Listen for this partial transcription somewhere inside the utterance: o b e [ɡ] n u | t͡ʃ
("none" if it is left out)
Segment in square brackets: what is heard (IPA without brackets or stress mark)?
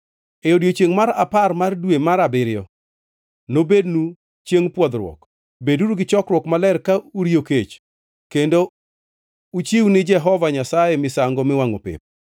d